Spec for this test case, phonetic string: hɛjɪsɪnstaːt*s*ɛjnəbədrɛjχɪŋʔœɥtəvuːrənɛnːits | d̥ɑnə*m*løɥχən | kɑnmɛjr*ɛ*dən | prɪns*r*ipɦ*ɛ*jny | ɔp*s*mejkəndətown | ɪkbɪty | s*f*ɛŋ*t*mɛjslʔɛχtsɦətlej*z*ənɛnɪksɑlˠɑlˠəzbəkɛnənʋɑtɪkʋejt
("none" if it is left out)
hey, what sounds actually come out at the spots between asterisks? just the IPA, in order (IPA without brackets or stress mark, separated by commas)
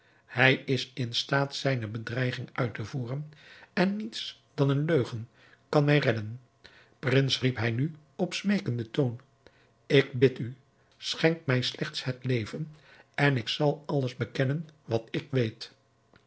s, n, ɛ, r, ɛ, s, χ, k, v